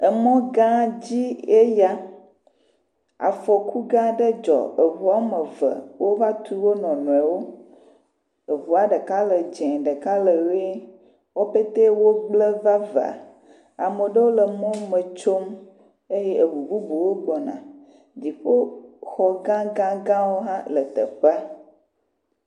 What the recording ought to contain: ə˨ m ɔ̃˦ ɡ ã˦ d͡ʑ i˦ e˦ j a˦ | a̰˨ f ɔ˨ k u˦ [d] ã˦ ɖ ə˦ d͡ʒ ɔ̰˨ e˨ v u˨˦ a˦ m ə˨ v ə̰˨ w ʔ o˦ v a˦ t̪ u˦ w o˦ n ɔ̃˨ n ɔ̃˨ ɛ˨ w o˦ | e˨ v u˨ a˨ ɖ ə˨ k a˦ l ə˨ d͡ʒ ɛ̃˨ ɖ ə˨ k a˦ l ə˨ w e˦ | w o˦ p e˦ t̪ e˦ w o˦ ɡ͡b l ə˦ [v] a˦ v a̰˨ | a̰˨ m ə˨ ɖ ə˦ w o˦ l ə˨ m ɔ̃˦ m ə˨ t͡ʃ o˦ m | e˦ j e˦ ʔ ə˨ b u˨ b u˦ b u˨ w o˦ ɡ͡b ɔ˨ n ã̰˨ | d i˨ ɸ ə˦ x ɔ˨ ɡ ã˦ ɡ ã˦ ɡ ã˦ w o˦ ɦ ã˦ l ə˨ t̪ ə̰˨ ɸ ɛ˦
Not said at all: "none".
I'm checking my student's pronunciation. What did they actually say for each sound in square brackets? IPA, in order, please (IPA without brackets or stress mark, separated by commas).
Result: ɡ, v